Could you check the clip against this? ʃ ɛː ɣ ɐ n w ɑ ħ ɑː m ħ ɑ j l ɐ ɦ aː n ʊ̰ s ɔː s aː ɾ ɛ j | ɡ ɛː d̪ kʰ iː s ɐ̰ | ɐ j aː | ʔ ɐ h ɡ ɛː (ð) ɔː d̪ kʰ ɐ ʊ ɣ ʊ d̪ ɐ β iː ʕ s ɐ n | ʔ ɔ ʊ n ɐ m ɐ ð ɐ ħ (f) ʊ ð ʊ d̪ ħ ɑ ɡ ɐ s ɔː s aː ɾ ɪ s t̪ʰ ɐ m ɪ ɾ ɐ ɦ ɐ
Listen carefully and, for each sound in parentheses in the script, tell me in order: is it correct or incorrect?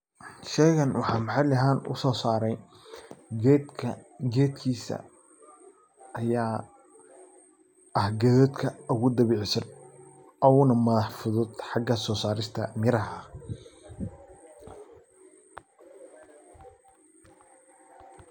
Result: correct, correct

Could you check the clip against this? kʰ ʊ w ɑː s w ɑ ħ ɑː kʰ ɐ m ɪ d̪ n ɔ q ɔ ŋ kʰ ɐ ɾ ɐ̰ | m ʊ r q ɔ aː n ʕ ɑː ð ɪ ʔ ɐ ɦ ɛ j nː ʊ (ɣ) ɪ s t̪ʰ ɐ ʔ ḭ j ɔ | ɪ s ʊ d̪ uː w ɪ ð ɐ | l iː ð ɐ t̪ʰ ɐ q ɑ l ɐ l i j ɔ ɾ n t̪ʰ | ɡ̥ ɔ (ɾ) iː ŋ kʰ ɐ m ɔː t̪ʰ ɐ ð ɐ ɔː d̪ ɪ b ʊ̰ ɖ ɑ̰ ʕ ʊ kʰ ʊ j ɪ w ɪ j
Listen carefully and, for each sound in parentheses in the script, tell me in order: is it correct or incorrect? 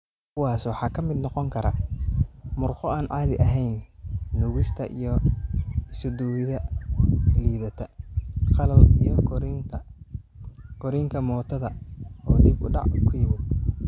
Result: correct, correct

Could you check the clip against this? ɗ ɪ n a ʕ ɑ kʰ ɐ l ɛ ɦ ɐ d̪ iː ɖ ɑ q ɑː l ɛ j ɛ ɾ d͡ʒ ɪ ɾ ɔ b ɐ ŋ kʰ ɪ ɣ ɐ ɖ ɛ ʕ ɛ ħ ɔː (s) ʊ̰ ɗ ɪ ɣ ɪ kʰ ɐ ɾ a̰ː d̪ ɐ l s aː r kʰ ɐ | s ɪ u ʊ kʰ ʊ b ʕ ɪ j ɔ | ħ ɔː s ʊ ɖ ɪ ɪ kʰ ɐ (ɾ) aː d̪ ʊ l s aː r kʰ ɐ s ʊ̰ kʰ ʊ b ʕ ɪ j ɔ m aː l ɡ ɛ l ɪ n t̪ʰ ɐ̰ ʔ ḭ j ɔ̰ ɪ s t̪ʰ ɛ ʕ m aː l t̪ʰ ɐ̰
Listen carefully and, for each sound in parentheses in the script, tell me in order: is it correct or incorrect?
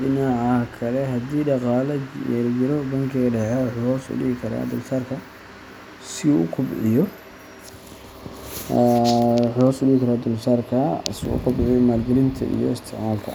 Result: correct, correct

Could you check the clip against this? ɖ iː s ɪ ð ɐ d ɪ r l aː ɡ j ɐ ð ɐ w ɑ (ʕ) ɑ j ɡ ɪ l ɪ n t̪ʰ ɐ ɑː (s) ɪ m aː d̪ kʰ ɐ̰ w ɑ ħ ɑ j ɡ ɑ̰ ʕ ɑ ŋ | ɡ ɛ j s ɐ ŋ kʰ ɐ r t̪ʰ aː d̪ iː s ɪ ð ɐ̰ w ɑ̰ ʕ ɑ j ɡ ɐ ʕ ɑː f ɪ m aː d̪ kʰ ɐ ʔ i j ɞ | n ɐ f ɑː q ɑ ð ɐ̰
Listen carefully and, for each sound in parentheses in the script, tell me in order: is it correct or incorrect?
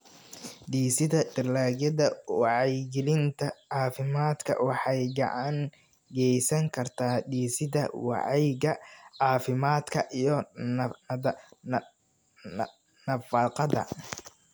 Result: correct, incorrect

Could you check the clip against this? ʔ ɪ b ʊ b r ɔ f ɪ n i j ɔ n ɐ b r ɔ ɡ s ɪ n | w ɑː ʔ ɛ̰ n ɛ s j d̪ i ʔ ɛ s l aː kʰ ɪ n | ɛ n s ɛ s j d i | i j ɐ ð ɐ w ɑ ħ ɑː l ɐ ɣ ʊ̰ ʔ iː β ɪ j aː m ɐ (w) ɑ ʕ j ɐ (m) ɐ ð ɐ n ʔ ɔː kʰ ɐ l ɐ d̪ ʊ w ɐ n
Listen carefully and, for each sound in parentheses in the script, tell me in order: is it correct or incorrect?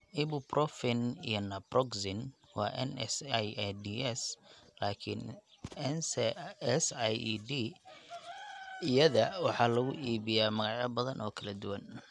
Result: incorrect, incorrect

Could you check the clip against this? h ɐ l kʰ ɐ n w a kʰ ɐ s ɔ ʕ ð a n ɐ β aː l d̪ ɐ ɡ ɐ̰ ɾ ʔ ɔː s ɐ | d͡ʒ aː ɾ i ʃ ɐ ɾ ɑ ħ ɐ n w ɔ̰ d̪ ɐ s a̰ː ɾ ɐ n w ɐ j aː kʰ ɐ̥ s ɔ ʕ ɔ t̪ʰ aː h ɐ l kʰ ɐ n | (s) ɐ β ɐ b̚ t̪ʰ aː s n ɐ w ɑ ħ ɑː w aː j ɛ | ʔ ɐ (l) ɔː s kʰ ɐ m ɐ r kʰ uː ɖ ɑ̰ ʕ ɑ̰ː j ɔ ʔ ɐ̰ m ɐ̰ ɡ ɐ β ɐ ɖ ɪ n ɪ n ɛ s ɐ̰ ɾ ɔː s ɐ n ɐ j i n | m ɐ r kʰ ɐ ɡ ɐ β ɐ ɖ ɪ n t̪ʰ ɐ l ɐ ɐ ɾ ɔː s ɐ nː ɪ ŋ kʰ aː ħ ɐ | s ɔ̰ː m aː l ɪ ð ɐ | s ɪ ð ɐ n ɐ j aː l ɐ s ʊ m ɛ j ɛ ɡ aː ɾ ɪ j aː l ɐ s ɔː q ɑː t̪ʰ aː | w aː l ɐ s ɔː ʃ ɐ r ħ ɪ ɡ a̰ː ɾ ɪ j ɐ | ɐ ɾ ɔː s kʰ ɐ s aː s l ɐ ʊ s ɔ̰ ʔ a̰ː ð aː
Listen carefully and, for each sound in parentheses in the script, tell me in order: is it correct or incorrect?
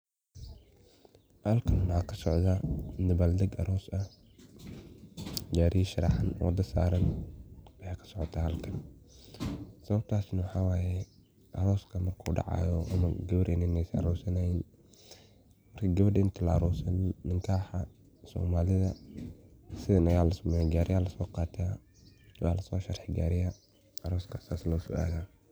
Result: correct, incorrect

